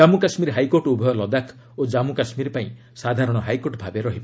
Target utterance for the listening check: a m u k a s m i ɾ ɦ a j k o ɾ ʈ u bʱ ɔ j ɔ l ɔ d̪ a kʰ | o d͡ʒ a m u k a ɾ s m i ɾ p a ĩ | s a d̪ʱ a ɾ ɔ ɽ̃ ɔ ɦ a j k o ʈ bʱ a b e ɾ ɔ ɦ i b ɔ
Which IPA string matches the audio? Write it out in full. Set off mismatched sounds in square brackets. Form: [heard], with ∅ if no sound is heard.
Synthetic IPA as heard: a m u k a s m i ɾ ɦ a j k o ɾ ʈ u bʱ ɔ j ɔ l ɔ d̪ a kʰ | o d͡ʒ a m u k a [∅] s m i ɾ p a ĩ | s a d̪ʱ a ɾ ɔ ɽ̃ ɔ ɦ a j k o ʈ bʱ a b e ɾ ɔ ɦ i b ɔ